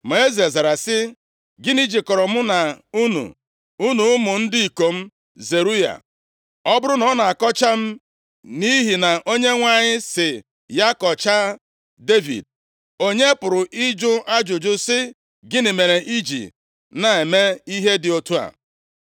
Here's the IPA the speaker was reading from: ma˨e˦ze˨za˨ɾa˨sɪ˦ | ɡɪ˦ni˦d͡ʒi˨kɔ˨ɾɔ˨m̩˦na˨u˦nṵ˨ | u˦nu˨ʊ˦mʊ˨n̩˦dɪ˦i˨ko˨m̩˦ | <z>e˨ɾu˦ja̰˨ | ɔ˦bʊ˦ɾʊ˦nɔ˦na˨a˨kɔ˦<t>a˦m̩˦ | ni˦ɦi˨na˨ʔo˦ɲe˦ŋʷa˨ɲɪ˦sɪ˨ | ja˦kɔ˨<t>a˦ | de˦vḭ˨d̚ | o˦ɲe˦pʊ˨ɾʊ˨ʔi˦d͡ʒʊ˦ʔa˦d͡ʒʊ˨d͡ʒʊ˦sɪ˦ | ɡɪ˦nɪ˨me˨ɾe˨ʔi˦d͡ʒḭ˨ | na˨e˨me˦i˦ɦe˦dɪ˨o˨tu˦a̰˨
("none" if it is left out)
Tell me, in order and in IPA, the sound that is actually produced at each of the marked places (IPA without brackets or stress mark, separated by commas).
z, t͡ʃ, t͡ʃ